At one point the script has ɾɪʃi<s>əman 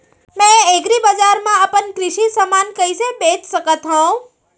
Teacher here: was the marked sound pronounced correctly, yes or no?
yes